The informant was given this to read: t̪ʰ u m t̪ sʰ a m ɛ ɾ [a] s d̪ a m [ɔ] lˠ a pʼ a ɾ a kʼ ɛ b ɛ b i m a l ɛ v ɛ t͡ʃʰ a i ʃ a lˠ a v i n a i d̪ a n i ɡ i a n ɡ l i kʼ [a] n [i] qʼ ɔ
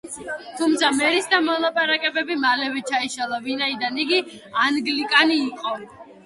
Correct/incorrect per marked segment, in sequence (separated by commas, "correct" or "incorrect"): incorrect, correct, correct, incorrect